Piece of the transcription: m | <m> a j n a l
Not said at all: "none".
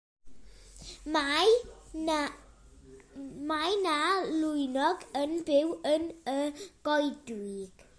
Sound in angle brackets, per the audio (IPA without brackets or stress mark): m